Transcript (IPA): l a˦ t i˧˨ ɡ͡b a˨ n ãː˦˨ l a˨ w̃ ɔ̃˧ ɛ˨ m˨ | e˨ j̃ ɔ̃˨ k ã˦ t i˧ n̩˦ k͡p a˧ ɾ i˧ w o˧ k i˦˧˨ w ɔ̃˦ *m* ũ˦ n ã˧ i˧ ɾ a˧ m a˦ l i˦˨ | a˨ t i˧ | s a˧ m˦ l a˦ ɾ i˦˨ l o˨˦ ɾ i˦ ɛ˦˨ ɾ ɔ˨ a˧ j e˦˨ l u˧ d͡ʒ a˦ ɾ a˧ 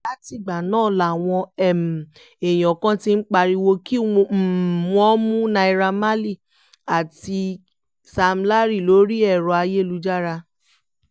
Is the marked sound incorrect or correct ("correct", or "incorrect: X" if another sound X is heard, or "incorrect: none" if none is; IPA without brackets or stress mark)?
correct